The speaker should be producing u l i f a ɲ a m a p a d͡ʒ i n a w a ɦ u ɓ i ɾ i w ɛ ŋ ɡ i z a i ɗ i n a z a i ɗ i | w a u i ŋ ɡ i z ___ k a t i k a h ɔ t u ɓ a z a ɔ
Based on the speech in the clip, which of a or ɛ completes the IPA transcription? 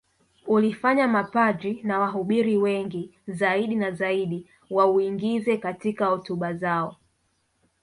ɛ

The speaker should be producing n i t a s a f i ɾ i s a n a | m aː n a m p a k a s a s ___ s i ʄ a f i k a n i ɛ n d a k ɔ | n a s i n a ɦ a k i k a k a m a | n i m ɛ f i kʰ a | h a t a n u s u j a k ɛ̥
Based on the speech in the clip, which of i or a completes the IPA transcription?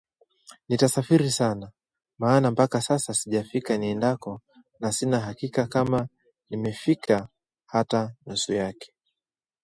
a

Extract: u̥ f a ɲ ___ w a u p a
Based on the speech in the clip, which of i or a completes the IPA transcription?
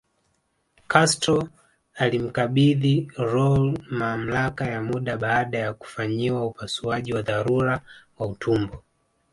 i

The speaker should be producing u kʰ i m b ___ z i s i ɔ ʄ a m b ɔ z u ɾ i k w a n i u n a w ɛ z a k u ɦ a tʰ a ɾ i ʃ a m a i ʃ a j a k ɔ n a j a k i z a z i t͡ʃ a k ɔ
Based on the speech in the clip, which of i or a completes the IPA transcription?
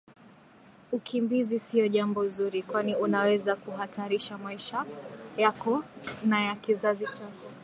i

